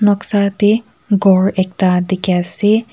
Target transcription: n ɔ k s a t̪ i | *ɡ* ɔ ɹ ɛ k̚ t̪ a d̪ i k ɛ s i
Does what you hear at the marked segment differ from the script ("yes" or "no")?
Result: no